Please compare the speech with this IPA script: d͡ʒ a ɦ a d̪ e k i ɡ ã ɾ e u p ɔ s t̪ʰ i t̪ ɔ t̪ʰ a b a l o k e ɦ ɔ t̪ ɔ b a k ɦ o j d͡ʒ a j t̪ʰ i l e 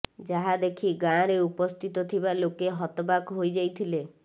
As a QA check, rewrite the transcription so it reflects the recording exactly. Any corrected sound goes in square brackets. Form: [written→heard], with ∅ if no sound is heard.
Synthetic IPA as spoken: d͡ʒ a ɦ a d̪ e [k→kʰ] i ɡ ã ɾ e u p ɔ s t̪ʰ i t̪ ɔ t̪ʰ [a→i] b a l o k e ɦ ɔ t̪ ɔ b a k ɦ o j d͡ʒ a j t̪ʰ i l e